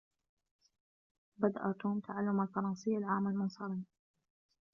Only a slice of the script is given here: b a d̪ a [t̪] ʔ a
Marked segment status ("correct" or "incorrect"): incorrect